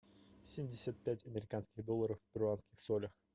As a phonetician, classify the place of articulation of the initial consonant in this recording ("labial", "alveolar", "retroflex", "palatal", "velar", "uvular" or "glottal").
alveolar